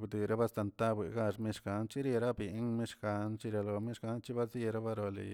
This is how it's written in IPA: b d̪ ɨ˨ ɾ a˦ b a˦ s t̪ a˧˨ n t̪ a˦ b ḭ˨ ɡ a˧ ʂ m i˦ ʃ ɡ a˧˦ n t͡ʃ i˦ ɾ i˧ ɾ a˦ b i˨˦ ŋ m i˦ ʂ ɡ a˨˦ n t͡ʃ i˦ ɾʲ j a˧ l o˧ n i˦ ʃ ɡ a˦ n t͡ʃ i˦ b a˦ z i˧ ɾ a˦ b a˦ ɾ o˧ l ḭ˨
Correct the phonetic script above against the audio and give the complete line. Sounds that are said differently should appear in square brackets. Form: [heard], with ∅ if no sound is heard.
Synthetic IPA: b d̪ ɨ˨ ɾ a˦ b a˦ s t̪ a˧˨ n t̪ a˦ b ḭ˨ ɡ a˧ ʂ m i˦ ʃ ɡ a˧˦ n t͡ʃ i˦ ɾ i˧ ɾ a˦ b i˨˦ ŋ m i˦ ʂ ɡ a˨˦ n t͡ʃ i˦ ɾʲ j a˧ l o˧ [m] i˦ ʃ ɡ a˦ n t͡ʃ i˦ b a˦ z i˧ ɾ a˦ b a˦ ɾ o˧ l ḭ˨